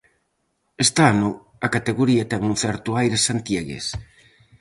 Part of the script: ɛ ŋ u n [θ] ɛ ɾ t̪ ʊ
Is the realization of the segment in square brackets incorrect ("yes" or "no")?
no